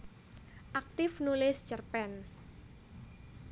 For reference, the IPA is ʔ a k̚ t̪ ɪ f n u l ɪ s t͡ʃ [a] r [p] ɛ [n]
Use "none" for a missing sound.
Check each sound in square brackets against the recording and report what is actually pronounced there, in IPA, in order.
ə, p, n

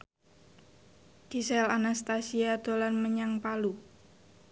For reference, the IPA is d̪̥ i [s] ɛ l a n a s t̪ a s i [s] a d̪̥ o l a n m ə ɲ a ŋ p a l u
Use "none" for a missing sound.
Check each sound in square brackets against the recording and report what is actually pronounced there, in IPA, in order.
s, none

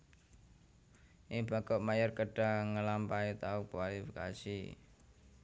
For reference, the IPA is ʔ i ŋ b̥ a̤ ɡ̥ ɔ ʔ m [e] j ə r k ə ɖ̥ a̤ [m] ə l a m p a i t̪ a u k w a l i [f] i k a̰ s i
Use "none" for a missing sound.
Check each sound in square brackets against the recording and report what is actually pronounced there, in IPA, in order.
a, ŋ, f

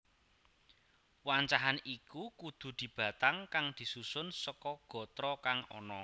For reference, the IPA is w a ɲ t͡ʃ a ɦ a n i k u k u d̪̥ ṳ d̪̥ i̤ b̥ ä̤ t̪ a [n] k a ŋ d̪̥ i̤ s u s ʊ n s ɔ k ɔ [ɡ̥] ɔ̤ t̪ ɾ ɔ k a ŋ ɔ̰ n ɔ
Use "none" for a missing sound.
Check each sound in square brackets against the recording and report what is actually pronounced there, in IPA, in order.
ŋ, ɡ̥

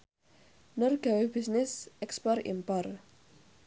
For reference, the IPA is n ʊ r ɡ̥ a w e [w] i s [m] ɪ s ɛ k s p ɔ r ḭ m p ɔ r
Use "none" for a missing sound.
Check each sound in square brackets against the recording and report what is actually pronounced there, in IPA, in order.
b, n

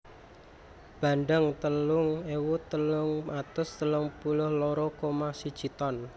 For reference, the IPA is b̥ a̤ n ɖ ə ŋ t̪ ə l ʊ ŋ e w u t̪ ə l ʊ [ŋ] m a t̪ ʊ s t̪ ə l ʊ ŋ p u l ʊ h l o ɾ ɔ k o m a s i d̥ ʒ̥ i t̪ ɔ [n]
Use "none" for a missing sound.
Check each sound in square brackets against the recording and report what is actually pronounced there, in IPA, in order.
ŋ, n

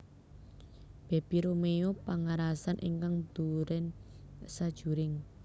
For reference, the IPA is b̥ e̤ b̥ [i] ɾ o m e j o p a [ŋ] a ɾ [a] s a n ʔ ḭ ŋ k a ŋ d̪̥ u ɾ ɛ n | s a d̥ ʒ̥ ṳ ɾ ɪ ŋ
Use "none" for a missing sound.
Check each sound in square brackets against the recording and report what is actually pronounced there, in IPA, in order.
i, ŋ, a

